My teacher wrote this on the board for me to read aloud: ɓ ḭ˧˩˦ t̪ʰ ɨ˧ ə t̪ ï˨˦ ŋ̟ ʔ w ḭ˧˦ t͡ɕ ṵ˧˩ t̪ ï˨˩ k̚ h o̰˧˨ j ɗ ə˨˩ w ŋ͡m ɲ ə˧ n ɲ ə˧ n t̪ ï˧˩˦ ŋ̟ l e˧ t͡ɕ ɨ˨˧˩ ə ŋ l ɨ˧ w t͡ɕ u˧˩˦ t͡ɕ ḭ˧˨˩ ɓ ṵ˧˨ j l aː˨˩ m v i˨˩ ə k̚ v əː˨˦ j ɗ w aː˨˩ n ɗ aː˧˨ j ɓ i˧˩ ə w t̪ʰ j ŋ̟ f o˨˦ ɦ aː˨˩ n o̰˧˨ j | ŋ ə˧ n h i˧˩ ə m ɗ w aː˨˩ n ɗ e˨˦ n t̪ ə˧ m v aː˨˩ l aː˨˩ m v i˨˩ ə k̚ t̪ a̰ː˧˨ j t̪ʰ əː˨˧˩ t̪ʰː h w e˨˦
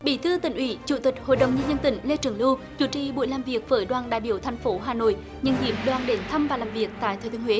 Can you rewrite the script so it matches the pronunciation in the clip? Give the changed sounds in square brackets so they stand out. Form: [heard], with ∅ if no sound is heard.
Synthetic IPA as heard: ɓ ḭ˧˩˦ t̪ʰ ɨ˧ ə t̪ [ï˧˩] ŋ̟ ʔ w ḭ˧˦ t͡ɕ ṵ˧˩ t̪ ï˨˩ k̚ h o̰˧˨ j ɗ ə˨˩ w ŋ͡m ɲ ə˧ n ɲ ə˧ n t̪ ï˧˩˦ ŋ̟ l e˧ t͡ɕ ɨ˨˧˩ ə ŋ l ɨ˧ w t͡ɕ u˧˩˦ t͡ɕ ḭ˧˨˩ ɓ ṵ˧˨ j l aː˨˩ m v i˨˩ ə k̚ v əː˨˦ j ɗ w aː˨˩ n ɗ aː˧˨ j ɓ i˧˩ ə w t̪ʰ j ŋ̟ f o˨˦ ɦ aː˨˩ n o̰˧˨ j | [ɲ] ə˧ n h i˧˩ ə m ɗ w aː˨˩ n ɗ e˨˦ n [t̪ʰ] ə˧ m v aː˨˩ l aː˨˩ m v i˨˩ ə k̚ t̪ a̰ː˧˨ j t̪ʰ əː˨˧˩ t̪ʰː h w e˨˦